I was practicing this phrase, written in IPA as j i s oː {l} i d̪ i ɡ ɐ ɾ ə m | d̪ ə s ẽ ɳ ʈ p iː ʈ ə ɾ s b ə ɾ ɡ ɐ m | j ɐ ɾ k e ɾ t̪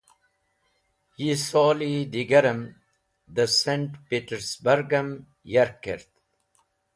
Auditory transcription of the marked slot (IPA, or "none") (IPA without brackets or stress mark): l